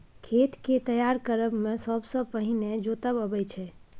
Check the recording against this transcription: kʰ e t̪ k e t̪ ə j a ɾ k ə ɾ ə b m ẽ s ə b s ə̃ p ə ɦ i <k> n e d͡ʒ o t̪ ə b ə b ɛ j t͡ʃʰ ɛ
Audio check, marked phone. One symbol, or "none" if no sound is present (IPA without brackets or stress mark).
none